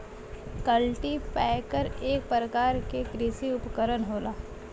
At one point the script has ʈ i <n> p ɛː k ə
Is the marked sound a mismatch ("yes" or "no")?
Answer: yes